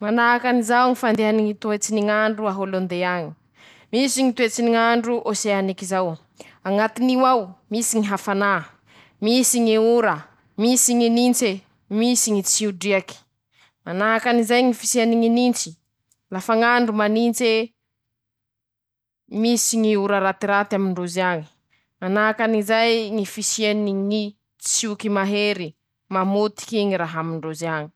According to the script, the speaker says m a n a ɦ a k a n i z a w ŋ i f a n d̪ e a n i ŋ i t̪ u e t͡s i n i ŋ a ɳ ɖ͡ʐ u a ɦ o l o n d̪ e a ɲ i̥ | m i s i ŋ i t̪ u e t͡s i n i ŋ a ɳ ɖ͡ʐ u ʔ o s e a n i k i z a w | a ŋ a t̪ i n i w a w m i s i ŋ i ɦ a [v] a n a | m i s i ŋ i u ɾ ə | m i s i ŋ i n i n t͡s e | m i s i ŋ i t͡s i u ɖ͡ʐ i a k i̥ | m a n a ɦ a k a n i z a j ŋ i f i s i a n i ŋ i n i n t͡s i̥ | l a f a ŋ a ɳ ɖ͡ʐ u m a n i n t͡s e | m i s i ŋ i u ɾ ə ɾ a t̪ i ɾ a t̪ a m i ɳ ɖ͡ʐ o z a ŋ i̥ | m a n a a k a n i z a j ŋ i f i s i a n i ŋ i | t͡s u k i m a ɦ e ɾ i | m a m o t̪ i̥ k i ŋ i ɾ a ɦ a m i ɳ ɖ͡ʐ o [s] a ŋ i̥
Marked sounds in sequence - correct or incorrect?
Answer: incorrect: f, incorrect: z

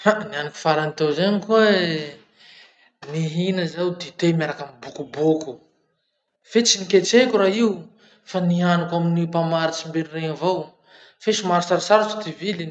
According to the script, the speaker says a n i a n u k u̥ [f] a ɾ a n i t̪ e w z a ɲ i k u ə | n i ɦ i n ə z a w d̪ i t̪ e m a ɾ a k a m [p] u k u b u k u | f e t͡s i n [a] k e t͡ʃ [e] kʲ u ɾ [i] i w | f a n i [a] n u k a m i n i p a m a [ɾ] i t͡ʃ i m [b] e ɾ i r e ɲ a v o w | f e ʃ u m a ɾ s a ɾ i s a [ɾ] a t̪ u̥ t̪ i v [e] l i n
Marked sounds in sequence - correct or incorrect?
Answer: correct, incorrect: b, incorrect: i, correct, incorrect: a, correct, correct, correct, correct, incorrect: i

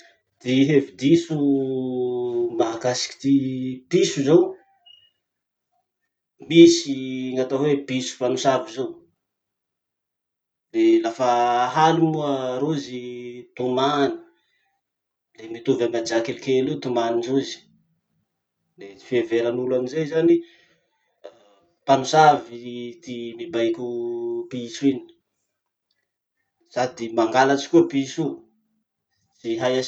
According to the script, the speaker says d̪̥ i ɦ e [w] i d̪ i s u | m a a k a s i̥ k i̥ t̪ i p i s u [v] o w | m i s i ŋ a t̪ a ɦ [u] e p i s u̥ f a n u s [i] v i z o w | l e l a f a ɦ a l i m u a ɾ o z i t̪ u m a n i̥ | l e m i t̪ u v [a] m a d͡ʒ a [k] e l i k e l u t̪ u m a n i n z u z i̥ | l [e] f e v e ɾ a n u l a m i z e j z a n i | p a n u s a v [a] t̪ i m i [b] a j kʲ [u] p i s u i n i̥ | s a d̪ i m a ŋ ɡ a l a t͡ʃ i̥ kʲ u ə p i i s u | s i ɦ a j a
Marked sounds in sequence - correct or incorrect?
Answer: incorrect: v, incorrect: z, incorrect: w, incorrect: a, correct, correct, correct, incorrect: i, correct, correct

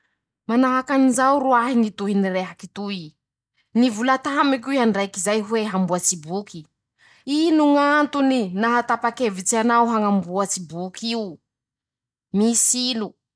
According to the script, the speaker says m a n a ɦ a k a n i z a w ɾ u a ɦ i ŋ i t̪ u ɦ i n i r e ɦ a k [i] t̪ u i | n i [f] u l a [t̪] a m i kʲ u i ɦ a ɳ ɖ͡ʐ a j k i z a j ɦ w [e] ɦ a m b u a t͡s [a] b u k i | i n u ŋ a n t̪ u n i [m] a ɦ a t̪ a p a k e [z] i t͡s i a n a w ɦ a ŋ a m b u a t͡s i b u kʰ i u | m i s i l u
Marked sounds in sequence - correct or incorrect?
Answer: correct, incorrect: v, correct, correct, incorrect: i, incorrect: n, incorrect: v

